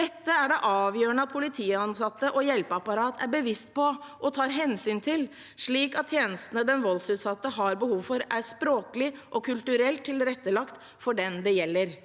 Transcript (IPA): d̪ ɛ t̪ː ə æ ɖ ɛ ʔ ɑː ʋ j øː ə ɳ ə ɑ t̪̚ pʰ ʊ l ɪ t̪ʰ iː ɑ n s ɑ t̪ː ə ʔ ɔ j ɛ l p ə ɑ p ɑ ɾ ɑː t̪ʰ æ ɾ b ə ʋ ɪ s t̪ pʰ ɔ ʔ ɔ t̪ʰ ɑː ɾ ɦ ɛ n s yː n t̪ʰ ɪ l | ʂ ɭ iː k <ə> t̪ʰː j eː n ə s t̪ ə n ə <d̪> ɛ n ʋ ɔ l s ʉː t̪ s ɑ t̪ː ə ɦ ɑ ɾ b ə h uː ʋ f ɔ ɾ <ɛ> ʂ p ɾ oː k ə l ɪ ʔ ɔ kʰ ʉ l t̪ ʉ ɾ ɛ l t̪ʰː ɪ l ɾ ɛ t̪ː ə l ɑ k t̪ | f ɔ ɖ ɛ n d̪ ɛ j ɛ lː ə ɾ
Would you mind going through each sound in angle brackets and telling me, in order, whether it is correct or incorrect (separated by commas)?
incorrect, correct, incorrect